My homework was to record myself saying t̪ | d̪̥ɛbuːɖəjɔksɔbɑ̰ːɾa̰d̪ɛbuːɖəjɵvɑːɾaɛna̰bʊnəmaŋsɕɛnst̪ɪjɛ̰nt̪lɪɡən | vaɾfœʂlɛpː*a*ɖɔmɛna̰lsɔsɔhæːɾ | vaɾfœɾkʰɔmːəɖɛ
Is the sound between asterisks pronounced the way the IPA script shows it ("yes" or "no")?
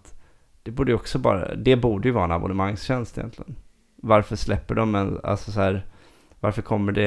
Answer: no